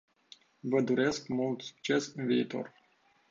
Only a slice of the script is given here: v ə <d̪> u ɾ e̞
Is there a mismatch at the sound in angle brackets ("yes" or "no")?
no